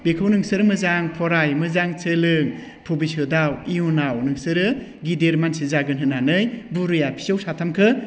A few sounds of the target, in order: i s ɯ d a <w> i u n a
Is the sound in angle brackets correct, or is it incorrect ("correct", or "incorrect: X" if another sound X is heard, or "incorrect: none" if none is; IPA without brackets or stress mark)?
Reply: correct